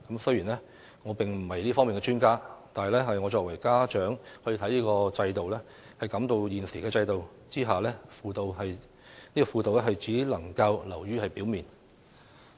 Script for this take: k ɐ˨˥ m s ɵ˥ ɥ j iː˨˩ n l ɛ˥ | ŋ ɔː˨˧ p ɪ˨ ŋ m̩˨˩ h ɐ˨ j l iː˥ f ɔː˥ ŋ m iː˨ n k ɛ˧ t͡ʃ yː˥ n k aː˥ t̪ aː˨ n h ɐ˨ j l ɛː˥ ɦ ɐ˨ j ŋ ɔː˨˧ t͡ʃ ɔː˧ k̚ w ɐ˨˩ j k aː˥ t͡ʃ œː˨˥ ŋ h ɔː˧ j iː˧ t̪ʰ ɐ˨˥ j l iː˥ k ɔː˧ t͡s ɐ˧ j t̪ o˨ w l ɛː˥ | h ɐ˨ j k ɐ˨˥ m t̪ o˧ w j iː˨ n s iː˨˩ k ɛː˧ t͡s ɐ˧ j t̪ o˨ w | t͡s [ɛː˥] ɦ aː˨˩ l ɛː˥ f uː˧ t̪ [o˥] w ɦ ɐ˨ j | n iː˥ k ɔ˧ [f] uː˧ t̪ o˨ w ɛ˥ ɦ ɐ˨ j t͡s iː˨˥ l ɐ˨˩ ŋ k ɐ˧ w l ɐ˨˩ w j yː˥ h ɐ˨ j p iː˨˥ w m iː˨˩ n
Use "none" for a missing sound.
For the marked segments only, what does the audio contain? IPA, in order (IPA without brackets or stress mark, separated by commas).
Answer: iː˥, o˨, f